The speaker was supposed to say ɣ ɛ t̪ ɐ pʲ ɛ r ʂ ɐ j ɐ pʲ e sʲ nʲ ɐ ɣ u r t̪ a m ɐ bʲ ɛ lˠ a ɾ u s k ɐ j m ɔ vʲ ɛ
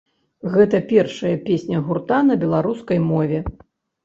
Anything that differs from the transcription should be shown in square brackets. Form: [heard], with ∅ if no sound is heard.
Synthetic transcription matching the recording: ɣ ɛ t̪ ɐ pʲ ɛ r ʂ ɐ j ɐ pʲ e sʲ nʲ ɐ ɣ u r t̪ a [n] ɐ bʲ ɛ lˠ a ɾ u s k ɐ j m ɔ vʲ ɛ